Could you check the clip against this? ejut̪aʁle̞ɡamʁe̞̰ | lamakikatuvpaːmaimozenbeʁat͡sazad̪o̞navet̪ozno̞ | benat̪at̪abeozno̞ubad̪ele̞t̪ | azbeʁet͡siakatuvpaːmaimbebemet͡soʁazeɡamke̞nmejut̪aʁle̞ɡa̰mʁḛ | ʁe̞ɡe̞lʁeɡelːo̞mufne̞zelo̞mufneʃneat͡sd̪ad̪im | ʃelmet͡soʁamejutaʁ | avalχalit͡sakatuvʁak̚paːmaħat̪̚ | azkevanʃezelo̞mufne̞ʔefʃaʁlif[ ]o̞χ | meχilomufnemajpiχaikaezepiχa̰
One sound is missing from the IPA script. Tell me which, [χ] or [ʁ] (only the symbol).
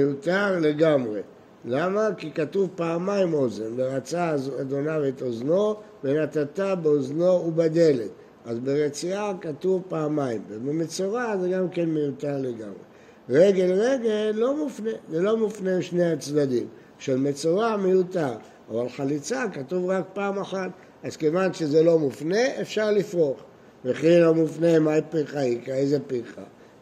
ʁ